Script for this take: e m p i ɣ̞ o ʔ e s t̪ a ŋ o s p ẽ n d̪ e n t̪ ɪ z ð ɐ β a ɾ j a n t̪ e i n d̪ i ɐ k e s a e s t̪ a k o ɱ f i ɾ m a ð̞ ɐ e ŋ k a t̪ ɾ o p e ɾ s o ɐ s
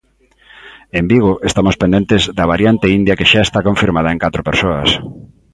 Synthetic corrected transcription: e m b i ɣ̞ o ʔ e s t̪ a m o s p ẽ n d̪ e n t̪ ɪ z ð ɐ β a ɾ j a n t̪ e i n d̪ j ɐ k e ʃ a e s t̪ a k o ɱ f i ɾ m a ð̞ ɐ e ŋ k a t̪ ɾ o p e ɾ s o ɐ s